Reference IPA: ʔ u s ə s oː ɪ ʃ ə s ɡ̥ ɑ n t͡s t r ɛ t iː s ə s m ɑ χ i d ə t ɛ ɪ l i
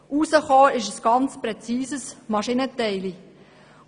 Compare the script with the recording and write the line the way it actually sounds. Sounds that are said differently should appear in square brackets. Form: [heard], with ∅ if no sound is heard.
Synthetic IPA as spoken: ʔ u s ə [χ] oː ɪ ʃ ə s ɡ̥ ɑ n t͡s [p] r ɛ [t͡s] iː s ə s m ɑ [ʃ] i [n] ə t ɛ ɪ l i